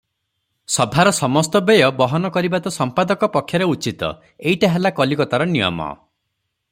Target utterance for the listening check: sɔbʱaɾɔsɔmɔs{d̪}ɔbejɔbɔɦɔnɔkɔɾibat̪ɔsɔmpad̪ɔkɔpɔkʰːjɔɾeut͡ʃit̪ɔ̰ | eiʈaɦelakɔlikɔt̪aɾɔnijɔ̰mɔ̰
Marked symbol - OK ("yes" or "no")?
no